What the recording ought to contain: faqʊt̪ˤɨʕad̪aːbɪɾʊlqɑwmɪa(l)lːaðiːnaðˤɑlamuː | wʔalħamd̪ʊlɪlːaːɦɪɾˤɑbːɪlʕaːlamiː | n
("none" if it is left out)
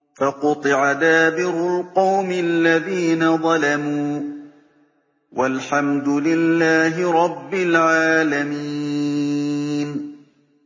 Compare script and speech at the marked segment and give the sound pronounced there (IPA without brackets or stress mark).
l